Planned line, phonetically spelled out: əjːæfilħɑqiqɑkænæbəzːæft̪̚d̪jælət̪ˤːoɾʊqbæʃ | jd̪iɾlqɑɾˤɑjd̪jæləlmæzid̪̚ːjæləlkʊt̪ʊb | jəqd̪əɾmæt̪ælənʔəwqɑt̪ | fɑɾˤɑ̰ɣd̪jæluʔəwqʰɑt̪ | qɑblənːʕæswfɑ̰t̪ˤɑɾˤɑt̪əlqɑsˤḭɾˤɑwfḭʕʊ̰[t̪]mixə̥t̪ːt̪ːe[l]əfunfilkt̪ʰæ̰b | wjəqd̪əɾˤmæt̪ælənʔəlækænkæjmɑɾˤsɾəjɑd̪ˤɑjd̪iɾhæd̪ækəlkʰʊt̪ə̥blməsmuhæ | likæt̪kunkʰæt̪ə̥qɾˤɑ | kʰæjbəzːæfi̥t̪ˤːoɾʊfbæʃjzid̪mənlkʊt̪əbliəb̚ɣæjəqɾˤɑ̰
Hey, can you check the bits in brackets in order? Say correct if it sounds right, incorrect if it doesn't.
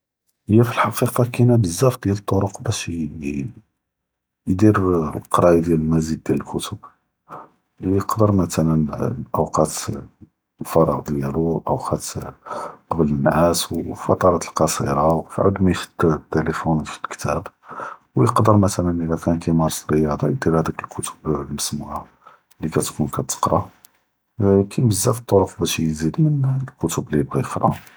incorrect: d̪, correct

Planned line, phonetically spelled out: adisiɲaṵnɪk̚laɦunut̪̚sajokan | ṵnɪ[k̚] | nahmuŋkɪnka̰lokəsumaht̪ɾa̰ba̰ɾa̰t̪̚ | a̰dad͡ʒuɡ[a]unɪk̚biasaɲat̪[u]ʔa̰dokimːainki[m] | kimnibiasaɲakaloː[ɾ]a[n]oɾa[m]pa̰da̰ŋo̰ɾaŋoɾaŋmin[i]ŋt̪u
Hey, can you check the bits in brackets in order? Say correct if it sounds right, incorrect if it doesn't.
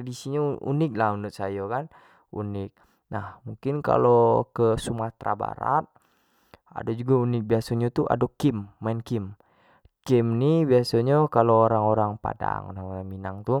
correct, correct, correct, correct, correct, incorrect: ŋ, incorrect: ŋ, incorrect: a

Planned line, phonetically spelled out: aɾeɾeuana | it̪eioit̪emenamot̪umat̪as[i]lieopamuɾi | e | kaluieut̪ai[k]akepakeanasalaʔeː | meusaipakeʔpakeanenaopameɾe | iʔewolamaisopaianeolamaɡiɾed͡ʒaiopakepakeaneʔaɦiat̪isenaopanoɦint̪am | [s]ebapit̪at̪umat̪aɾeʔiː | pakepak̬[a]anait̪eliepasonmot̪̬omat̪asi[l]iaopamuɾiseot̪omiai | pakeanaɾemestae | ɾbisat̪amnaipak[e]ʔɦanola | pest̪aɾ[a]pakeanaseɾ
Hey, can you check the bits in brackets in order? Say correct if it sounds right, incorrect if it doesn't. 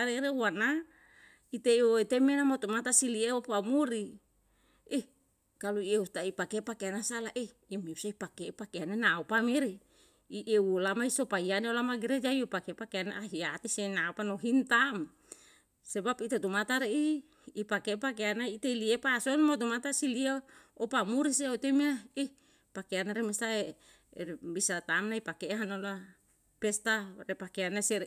correct, incorrect: p, correct, incorrect: e, correct, correct, incorrect: e

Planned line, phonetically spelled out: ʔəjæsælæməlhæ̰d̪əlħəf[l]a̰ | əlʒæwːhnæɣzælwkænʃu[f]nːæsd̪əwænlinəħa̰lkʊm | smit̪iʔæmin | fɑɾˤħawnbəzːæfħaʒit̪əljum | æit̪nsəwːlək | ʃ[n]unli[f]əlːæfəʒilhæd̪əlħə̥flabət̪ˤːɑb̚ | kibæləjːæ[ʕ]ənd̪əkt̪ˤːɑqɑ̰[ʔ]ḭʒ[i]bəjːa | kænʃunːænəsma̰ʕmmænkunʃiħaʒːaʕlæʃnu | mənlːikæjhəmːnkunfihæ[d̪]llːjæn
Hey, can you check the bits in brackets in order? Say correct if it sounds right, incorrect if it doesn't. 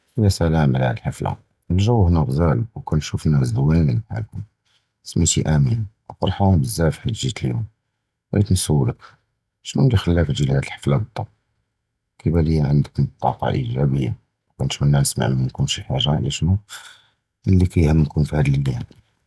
correct, correct, correct, incorrect: x, correct, correct, incorrect: æ, correct

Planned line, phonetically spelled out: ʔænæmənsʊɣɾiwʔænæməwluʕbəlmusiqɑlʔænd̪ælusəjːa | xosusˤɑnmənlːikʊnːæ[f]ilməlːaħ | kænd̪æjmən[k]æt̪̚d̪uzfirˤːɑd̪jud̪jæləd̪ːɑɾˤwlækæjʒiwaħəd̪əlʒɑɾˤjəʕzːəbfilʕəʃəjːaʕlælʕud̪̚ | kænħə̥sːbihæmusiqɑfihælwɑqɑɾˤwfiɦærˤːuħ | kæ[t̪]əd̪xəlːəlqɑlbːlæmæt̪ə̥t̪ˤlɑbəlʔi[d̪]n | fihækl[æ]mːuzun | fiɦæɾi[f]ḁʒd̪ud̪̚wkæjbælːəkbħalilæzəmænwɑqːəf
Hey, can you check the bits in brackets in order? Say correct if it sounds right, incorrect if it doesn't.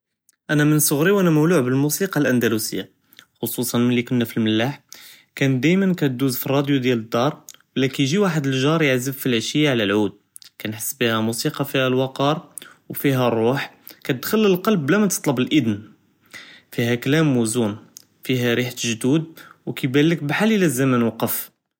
correct, correct, correct, correct, correct, incorrect: ħ

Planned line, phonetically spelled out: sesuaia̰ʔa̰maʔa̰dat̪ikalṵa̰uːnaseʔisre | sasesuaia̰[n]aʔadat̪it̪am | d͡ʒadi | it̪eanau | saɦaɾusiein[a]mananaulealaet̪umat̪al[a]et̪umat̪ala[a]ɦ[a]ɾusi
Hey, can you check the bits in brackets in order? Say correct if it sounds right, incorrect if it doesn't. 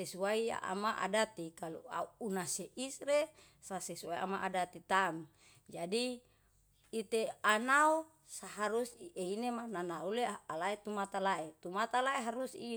incorrect: m, incorrect: e, correct, incorrect: e, correct

